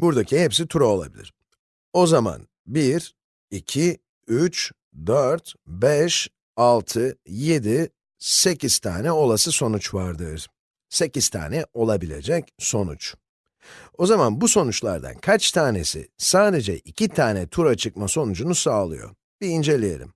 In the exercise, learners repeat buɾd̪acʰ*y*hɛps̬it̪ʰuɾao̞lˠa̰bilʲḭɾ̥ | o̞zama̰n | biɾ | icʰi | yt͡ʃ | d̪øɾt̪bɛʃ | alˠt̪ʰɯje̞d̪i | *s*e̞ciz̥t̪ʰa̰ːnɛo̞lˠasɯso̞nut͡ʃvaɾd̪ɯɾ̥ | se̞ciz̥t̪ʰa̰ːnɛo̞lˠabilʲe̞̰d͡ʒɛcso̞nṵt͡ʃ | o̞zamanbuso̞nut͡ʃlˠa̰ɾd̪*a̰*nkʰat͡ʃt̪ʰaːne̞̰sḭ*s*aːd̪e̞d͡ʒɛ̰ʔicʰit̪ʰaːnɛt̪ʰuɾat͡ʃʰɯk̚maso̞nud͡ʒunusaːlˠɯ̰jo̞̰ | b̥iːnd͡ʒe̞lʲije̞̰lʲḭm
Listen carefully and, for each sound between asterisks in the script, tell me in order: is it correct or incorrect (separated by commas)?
incorrect, correct, correct, correct